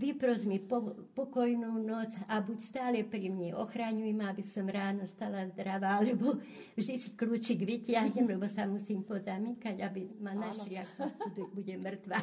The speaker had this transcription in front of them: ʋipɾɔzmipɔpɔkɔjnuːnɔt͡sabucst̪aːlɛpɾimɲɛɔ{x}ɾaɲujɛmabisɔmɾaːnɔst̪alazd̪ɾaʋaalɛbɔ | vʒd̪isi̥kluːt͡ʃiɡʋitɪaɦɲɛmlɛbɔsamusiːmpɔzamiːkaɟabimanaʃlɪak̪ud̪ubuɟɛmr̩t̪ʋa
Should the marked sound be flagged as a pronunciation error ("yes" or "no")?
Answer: no